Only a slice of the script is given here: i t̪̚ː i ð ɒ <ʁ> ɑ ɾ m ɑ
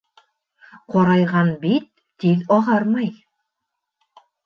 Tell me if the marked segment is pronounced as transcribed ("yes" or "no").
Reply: yes